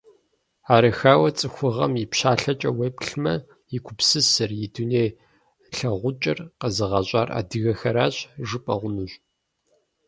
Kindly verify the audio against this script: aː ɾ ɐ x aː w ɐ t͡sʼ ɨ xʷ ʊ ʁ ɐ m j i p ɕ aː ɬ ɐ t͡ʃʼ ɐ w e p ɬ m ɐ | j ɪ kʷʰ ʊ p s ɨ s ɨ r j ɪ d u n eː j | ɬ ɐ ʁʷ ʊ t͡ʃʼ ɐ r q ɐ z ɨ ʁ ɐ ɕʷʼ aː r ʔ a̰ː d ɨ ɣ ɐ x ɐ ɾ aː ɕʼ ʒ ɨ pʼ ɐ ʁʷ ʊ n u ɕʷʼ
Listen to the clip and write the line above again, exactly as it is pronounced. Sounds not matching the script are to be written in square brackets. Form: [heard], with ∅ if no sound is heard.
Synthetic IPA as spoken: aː ɾ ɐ x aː w ɐ t͡sʼ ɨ xʷ ʊ ʁ ɐ m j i p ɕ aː ɬ ɐ t͡ʃʼ ɐ w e p ɬ m ɐ | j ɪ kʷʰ ʊ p s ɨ s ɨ r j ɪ d u n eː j | ɬ ɐ ʁʷ ʊ t͡ʃʼ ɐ r q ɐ z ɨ ʁ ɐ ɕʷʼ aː r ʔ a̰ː d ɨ ɣ ɐ x ɐ ɾ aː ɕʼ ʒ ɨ pʼ ɐ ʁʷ ʊ n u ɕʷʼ